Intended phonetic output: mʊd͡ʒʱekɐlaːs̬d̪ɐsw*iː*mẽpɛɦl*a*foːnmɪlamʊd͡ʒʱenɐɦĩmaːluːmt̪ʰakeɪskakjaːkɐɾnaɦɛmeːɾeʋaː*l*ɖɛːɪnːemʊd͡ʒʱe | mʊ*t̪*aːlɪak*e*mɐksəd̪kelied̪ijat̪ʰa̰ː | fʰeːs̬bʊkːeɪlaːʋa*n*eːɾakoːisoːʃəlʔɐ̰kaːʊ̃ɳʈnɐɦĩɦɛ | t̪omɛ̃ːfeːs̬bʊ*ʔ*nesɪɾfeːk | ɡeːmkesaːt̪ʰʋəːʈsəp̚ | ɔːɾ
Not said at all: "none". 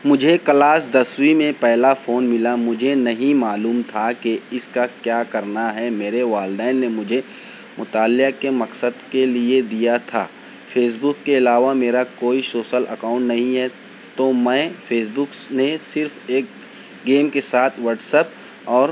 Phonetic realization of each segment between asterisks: i, a, l, t̪, e, m, k

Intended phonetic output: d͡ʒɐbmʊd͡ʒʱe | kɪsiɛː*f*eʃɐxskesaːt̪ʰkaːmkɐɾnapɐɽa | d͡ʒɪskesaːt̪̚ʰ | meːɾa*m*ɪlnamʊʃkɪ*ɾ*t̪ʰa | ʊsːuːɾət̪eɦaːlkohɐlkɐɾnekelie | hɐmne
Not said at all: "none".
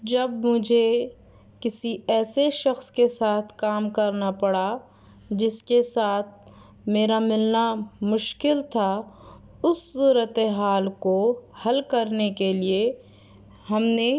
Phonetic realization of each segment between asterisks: s, m, l

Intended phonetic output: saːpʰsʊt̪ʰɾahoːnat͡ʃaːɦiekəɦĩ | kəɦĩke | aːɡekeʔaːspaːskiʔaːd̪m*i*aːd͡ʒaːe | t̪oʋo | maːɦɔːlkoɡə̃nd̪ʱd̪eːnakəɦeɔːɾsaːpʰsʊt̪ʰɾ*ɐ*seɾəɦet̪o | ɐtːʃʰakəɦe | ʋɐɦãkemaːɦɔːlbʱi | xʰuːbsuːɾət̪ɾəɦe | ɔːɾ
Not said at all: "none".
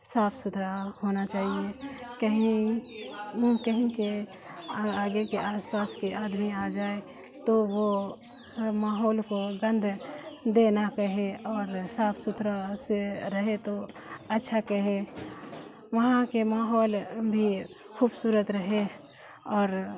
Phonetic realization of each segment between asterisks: i, a

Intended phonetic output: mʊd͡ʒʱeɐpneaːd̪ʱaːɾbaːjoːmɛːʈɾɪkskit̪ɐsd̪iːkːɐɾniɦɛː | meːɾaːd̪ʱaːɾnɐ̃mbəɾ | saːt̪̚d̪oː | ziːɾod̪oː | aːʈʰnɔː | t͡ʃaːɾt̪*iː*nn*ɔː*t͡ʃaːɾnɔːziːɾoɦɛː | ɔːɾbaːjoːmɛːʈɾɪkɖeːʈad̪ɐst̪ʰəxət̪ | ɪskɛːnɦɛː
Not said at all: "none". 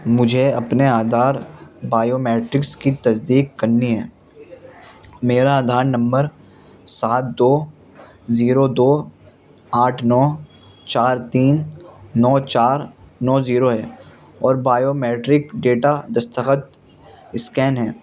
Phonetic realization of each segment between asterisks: iː, ɔː

